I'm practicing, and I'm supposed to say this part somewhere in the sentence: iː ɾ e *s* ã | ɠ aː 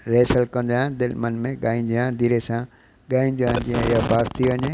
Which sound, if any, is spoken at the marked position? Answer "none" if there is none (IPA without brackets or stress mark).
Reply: s